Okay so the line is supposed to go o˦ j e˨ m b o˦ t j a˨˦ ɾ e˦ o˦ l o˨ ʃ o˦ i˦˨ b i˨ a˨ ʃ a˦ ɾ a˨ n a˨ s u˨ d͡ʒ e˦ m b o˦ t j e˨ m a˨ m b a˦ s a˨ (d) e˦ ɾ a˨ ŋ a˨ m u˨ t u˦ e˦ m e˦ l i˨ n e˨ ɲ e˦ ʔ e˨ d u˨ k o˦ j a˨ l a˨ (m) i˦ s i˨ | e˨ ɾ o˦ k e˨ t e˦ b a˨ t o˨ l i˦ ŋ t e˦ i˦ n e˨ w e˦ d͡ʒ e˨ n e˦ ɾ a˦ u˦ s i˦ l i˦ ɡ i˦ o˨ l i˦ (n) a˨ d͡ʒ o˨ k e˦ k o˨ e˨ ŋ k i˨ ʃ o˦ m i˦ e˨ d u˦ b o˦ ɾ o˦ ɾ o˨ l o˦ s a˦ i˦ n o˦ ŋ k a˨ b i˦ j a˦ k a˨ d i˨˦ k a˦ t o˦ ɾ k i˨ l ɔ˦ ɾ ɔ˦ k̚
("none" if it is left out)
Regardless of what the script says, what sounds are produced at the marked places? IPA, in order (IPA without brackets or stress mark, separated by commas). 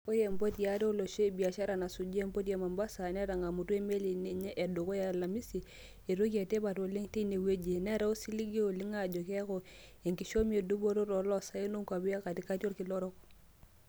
n, m, ŋ